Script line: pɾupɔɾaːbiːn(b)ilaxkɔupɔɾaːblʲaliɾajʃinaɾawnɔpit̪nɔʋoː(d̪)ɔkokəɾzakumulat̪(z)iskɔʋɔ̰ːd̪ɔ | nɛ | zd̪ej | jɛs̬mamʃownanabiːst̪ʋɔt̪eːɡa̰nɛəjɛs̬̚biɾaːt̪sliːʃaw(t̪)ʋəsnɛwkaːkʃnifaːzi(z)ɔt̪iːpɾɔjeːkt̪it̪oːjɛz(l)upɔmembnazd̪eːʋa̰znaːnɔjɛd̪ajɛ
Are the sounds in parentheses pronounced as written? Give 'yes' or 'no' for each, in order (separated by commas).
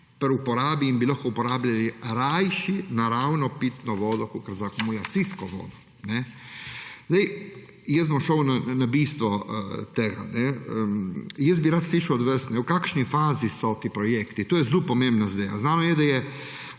yes, yes, no, no, no, yes